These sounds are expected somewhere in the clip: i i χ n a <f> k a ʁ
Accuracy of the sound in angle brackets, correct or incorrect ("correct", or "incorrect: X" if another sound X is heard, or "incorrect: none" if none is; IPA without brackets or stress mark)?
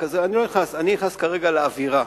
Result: incorrect: s